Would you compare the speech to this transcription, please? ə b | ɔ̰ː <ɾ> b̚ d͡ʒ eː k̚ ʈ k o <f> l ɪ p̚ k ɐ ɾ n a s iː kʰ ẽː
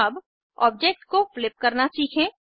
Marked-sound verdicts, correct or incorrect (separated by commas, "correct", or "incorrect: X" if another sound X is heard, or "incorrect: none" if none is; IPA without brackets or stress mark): incorrect: none, correct